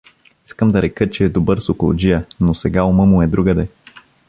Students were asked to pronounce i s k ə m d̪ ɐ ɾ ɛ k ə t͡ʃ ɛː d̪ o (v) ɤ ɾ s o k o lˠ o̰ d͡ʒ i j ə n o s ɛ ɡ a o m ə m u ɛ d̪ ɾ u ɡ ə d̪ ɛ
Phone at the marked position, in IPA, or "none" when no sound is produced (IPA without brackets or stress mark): b